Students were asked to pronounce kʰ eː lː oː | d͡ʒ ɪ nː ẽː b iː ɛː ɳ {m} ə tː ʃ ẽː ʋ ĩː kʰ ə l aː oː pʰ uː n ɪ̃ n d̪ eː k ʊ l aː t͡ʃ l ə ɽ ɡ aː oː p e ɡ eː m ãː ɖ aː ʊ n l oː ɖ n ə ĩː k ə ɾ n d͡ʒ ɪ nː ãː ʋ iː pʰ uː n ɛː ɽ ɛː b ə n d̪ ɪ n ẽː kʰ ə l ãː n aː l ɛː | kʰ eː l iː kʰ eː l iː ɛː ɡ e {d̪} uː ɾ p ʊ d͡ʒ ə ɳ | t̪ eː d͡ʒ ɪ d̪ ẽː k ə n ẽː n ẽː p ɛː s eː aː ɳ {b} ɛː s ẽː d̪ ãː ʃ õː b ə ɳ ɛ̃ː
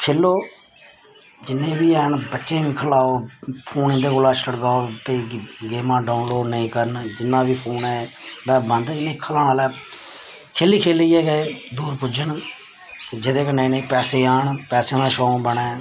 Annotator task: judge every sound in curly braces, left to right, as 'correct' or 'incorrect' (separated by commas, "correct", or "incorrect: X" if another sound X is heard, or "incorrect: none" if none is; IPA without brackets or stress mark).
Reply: incorrect: b, correct, incorrect: p